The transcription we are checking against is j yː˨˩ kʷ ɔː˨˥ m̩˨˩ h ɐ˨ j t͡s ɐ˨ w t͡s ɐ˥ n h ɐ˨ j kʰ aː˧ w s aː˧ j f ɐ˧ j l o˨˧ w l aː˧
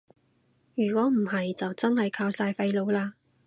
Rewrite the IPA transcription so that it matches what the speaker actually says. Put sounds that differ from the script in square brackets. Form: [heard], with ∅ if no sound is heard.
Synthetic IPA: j yː˨˩ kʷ ɔː˨˥ m̩˨˩ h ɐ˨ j t͡s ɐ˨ w t͡s ɐ˥ n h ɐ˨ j kʰ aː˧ w s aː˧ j f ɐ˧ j l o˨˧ w l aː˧